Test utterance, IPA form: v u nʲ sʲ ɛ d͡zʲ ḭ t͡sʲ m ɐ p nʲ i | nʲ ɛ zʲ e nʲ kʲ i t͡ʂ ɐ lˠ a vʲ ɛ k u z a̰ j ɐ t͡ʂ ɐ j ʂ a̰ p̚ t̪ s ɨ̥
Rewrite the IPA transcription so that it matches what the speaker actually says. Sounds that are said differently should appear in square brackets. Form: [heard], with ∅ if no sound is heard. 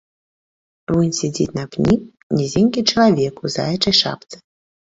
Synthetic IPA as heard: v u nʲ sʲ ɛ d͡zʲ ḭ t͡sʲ [n] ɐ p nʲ i | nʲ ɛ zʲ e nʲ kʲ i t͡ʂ ɐ lˠ a vʲ ɛ k u z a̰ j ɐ t͡ʂ ɐ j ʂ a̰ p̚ t̪ s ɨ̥